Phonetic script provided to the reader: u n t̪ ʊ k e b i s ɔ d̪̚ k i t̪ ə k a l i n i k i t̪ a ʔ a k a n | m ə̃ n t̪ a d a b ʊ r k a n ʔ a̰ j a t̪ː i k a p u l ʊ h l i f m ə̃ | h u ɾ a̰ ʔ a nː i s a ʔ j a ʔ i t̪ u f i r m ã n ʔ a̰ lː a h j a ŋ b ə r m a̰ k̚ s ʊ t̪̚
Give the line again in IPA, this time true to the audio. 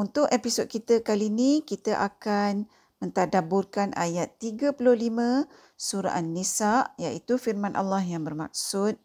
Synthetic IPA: u n t̪ ʊ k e p i s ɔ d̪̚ k i t̪ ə k a l i n i k i t̪ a ʔ a k a n | m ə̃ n t̪ a d a b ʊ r k a n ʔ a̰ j a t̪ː i ɡ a p u l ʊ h l i m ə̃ | s u ɾ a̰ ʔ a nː i s a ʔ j a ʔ i t̪ u f i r m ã n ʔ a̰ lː a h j a ŋ b ə r m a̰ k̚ s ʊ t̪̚